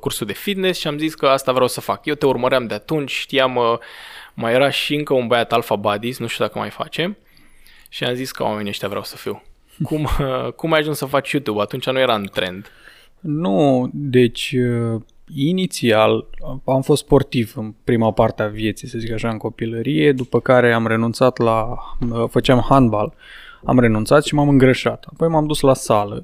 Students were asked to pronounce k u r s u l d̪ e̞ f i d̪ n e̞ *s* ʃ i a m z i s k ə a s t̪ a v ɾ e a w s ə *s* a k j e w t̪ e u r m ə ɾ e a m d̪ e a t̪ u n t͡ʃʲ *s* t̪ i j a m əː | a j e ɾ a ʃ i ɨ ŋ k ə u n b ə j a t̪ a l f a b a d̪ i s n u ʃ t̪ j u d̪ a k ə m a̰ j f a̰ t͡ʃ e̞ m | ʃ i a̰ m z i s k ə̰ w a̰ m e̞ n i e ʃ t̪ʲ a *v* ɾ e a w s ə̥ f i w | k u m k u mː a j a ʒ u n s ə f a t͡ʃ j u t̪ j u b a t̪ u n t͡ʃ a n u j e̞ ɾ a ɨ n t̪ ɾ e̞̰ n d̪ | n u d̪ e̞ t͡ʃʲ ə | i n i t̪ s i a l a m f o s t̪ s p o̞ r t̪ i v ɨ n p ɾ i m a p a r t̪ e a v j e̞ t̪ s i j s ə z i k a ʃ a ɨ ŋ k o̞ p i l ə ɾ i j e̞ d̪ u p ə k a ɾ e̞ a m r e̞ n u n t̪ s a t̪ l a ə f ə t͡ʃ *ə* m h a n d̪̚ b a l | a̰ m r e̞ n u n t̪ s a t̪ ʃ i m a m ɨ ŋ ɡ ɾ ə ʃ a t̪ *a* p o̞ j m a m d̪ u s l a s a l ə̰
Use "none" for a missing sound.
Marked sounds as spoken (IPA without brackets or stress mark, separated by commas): s, f, ʃ, v, a, a